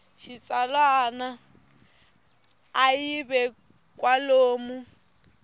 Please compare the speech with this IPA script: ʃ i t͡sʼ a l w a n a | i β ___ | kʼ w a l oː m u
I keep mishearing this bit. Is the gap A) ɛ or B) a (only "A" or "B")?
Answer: A